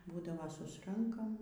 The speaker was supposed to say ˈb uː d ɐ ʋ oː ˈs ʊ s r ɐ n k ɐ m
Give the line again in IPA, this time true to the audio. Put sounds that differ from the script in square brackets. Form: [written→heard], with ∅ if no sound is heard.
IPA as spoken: ˈb uː d ɐ ʋ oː ˈs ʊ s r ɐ [n→ŋ] k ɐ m

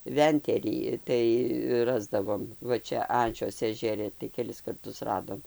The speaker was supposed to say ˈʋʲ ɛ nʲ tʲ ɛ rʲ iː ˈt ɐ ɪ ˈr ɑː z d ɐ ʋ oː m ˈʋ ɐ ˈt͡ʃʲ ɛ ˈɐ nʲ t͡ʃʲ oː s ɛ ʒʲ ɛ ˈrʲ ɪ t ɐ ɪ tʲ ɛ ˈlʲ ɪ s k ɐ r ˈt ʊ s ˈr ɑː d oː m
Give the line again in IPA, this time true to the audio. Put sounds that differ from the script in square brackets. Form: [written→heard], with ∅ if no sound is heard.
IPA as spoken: ˈʋʲ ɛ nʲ tʲ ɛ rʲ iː ˈt ɐ ɪ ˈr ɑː z d ɐ ʋ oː m ˈʋ ɐ ˈt͡ʃʲ ɛ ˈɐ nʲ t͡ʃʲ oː s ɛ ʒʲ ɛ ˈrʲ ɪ t ɐ ɪ [tʲ→kʲ] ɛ ˈlʲ ɪ s k ɐ r ˈt ʊ s ˈr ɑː d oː m

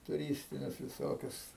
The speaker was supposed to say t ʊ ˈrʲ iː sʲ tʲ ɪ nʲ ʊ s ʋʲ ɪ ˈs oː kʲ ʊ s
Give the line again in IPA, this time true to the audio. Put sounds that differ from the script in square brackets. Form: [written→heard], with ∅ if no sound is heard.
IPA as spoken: t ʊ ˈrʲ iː sʲ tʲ ɪ nʲ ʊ s ʋʲ ɪ ˈs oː kʲ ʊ s

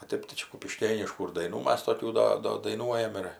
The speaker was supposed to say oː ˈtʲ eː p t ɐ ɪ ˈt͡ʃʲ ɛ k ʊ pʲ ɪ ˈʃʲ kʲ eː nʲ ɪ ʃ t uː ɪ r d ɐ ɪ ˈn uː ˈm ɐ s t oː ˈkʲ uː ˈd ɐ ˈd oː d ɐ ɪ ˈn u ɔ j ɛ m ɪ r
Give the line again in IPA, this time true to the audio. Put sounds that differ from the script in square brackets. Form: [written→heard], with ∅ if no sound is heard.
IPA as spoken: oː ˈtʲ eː p t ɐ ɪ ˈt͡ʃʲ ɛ k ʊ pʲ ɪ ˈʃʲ kʲ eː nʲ ɪ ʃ [t→k] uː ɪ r d ɐ ɪ ˈn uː ˈm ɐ s t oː ˈkʲ uː ˈd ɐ ˈd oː d ɐ ɪ ˈn u ɔ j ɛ m ɪ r

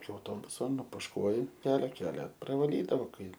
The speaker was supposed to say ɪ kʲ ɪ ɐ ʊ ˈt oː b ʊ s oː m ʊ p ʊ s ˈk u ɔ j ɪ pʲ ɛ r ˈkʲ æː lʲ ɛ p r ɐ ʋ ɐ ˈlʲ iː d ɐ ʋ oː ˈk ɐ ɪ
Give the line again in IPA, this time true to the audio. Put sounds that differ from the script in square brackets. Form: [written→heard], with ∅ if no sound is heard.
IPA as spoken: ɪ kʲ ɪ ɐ ʊ ˈt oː b ʊ s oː [m→n] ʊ p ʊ [s→ʃ] ˈk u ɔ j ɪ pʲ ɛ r ˈkʲ æː lʲ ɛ p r ɐ ʋ ɐ ˈlʲ iː d ɐ ʋ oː ˈk ɐ ɪ

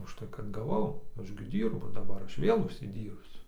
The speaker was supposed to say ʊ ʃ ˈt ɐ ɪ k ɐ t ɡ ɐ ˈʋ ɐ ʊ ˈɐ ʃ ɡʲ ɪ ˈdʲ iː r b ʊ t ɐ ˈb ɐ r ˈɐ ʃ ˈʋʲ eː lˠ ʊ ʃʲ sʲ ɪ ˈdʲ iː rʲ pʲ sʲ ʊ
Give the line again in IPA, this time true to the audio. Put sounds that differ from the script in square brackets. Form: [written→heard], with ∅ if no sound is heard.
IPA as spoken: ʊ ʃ ˈt ɐ ɪ k ɐ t ɡ ɐ ˈʋ ɐ ʊ ˈɐ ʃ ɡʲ ɪ ˈdʲ iː r b ʊ [t→d] ɐ ˈb ɐ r ˈɐ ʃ ˈʋʲ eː lˠ ʊ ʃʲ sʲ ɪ ˈdʲ iː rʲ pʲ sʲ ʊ

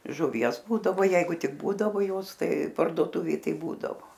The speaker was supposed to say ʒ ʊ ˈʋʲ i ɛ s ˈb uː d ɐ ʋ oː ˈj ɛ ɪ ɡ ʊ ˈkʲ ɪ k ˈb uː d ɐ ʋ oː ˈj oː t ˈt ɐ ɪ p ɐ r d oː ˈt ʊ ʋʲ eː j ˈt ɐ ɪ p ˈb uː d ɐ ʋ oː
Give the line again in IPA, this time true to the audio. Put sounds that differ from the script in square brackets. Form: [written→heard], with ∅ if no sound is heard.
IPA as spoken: ʒ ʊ ˈʋʲ i ɛ s ˈb uː d ɐ ʋ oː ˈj ɛ ɪ ɡ ʊ [ˈkʲ→ˈtʲ] ɪ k ˈb uː d ɐ ʋ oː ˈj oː [t→s] ˈt ɐ ɪ p ɐ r d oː ˈt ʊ ʋʲ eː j ˈt ɐ ɪ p ˈb uː d ɐ ʋ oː

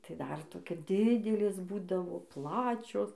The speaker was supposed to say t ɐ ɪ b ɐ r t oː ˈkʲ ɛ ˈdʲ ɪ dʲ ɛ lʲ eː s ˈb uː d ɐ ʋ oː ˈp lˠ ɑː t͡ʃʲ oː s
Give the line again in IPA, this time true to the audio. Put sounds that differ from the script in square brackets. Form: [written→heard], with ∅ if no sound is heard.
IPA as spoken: t ɐ ɪ [b→d] ɐ r t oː ˈkʲ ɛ ˈdʲ ɪ dʲ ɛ lʲ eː s ˈb uː d ɐ ʋ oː ˈp lˠ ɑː t͡ʃʲ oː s

